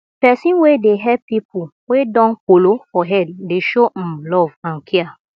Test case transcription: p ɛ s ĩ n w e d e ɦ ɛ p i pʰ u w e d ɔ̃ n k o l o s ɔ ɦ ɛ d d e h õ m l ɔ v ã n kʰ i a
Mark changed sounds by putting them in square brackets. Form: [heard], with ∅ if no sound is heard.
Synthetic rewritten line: p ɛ s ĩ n w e d e ɦ ɛ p i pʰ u w e d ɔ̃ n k o l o [f] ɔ ɦ ɛ d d e [ʃ] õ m l ɔ v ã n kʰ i a